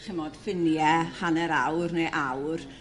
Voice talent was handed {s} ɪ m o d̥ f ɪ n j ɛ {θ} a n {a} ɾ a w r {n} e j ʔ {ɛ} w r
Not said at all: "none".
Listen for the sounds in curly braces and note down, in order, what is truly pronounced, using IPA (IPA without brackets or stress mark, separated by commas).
χ, h, ɛ, n, a